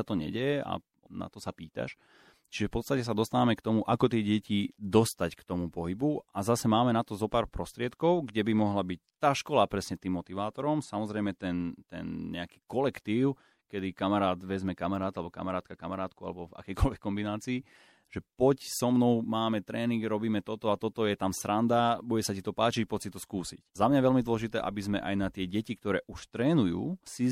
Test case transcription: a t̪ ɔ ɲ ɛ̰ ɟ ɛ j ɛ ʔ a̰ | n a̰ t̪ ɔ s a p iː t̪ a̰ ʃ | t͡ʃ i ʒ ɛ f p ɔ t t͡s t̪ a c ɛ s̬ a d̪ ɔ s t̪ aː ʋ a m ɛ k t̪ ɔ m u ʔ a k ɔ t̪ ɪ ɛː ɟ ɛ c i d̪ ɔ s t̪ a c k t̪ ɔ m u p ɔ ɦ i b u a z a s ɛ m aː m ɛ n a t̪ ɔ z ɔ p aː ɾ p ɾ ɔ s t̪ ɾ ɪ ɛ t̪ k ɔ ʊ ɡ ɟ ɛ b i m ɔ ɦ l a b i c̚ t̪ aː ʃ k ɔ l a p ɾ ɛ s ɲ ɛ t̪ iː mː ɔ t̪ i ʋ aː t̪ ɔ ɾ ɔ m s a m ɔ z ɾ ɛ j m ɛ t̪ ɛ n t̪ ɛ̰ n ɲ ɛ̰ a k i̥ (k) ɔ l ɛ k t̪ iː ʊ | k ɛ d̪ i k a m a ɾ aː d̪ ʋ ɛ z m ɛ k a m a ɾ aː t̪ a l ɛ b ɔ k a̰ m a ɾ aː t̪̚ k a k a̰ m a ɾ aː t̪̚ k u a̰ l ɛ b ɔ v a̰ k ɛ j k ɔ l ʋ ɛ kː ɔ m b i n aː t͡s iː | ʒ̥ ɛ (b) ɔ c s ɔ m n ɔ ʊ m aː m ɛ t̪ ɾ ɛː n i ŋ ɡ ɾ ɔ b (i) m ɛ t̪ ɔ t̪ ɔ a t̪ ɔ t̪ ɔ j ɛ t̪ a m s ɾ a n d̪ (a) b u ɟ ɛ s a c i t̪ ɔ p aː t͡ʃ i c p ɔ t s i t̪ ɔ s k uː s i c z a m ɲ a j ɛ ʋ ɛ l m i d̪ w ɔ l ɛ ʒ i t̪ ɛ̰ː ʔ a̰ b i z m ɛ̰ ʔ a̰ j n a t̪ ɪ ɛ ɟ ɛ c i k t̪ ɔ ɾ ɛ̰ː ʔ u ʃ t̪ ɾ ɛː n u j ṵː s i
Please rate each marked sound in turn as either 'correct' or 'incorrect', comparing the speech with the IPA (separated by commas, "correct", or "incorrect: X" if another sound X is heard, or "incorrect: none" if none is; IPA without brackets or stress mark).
correct, incorrect: p, incorrect: iː, correct